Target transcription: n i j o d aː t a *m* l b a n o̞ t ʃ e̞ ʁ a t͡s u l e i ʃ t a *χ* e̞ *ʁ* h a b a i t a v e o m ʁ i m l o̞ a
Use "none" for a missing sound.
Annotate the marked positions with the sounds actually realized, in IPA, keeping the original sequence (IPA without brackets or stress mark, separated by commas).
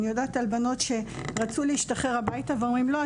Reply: none, χ, ʁ